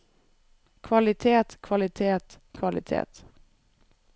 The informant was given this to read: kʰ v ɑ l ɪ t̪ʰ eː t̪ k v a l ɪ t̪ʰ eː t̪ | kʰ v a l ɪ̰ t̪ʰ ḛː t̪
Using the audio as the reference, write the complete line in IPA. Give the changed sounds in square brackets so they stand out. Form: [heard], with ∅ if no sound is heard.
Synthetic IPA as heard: kʰ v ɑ l ɪ t̪ʰ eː t̪ [kʰ] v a l ɪ t̪ʰ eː t̪ | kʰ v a l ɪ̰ t̪ʰ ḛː t̪